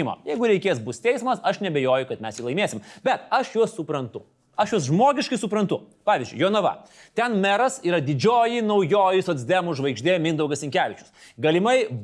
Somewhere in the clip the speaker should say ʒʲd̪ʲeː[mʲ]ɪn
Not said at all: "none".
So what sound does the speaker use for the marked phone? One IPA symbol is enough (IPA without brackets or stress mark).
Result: mʲ